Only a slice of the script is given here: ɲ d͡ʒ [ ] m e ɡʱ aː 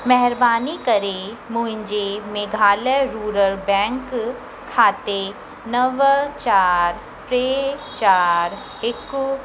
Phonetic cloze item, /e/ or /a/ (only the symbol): e